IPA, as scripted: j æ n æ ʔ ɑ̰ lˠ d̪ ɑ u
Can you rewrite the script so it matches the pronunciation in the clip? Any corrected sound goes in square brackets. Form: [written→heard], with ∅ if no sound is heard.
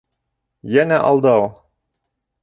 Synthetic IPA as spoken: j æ n æ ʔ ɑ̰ lˠ d̪ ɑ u